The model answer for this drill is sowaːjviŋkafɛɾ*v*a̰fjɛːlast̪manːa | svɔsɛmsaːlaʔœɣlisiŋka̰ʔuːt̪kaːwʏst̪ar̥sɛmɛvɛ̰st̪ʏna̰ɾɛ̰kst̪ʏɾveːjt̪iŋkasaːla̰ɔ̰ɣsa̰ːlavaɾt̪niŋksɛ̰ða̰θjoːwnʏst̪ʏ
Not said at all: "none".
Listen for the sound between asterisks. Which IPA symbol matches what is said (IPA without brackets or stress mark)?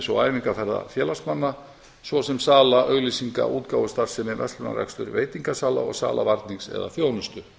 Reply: ð